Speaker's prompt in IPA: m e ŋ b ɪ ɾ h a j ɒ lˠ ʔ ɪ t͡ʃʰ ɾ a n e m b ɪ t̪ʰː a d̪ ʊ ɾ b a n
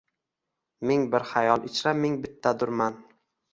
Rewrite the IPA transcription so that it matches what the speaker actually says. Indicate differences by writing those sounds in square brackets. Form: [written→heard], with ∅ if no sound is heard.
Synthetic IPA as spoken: m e ŋ b ɪ ɾ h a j ɒ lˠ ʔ ɪ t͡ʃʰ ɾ a [n→m] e [m→ŋ] b ɪ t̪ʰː a d̪ ʊ ɾ [b→m] a n